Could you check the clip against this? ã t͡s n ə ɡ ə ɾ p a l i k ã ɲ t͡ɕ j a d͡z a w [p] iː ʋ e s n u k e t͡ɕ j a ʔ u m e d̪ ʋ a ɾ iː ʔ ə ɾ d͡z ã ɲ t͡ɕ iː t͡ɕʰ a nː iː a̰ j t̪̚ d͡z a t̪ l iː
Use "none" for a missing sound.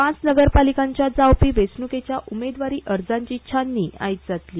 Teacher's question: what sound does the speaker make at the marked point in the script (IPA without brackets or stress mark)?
p